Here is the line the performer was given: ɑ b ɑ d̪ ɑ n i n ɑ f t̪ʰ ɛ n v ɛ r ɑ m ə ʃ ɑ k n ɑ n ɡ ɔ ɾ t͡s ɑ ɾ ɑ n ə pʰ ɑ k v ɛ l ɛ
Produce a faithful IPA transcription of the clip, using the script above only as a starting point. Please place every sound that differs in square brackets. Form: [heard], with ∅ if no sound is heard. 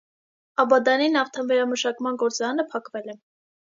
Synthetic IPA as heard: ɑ b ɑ d̪ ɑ n i n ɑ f t̪ʰ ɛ n v ɛ [ɾ] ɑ m ə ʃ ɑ k [m] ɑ n ɡ ɔ ɾ t͡s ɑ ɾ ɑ n ə pʰ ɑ k v ɛ l ɛ